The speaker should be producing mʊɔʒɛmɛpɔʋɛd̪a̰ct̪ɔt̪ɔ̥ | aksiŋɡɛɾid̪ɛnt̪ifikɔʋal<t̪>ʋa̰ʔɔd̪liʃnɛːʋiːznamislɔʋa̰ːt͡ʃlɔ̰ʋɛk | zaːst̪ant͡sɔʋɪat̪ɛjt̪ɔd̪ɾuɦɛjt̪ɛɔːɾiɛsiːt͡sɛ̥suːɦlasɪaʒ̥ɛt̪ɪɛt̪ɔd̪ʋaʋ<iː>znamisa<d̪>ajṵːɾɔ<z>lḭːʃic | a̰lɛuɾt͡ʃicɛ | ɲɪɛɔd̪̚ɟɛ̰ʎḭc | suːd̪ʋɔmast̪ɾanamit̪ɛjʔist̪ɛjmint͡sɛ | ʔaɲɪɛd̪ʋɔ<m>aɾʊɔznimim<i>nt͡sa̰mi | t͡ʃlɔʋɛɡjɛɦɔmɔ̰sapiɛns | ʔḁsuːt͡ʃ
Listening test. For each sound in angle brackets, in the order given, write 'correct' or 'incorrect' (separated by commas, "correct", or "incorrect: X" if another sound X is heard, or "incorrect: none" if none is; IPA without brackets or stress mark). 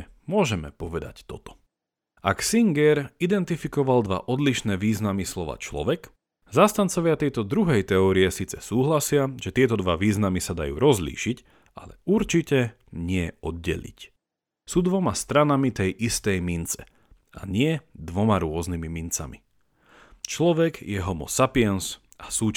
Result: incorrect: d̪, correct, correct, correct, correct, correct